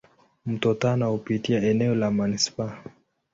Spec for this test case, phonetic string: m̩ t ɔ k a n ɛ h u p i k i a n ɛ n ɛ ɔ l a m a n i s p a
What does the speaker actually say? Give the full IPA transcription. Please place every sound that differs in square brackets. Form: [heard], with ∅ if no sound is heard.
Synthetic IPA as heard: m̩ t ɔ [t] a n [a] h u p i [t] i a [∅] ɛ n ɛ ɔ l a m a n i s p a